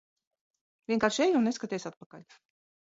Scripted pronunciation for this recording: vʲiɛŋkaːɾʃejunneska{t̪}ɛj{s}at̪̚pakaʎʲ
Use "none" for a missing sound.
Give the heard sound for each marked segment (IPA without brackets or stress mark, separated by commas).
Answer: t̪, s